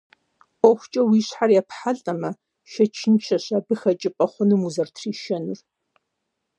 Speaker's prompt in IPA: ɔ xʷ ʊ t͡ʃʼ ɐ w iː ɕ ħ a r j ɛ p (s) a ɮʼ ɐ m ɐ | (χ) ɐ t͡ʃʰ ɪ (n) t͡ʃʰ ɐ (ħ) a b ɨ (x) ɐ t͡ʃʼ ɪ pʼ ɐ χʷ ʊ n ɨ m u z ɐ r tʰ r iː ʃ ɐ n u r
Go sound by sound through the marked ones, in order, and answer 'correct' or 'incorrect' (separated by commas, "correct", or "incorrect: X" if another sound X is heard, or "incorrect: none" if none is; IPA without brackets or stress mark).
incorrect: ħ, incorrect: ʃ, correct, incorrect: ɕ, correct